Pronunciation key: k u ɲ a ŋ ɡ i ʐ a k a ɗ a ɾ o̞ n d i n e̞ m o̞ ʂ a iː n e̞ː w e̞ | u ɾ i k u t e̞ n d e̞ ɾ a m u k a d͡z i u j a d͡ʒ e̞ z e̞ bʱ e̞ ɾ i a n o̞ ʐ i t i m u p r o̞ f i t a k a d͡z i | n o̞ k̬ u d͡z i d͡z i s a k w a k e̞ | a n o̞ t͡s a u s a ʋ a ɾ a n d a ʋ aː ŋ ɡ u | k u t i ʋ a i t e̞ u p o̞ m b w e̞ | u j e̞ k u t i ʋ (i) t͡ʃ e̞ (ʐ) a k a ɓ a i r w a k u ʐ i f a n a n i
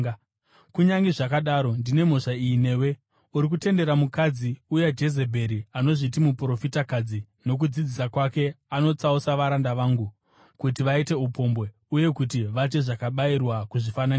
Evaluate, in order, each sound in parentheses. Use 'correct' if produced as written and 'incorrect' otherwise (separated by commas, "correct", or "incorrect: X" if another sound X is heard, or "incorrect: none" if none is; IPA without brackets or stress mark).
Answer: incorrect: a, correct